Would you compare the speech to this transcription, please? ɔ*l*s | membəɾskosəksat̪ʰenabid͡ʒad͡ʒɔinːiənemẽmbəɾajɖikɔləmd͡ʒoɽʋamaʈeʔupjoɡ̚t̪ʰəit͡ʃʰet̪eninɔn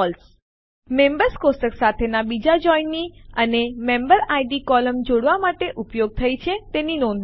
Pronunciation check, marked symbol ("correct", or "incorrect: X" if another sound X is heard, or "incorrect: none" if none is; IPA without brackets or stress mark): correct